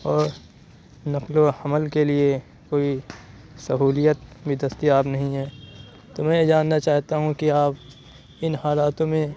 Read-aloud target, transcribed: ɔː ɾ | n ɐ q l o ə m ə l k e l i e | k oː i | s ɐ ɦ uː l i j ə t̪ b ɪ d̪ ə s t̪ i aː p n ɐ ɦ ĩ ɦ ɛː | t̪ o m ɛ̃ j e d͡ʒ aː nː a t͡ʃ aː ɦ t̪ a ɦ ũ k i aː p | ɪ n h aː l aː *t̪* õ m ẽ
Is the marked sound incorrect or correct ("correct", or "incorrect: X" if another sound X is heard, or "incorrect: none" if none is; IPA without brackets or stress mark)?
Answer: correct